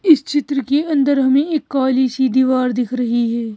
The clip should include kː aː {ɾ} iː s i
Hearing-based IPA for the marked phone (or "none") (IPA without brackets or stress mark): l